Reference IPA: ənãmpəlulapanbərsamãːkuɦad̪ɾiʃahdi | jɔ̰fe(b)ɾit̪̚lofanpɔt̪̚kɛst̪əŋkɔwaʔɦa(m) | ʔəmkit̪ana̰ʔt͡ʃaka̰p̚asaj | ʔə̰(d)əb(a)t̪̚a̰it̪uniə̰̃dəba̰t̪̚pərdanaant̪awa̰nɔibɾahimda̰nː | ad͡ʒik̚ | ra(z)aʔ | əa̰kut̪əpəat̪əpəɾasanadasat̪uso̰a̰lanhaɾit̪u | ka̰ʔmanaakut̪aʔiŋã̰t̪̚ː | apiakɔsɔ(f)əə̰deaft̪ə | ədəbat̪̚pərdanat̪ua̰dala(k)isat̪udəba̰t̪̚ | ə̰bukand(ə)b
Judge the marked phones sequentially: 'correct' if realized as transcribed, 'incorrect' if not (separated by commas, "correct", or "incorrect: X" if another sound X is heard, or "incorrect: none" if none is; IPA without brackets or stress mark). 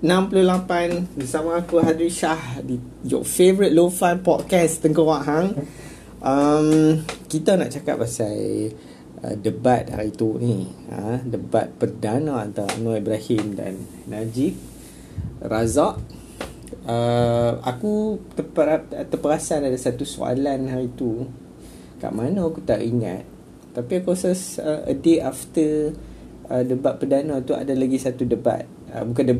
incorrect: v, incorrect: ŋ, correct, correct, correct, incorrect: s, incorrect: ɡ, correct